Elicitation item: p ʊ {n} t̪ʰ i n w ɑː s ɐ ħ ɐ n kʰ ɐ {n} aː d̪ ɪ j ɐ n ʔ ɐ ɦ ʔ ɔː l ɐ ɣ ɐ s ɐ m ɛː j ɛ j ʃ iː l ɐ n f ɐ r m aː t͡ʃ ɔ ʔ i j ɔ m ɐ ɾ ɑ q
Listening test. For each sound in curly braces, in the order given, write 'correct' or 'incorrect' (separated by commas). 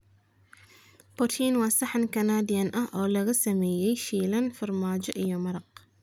incorrect, correct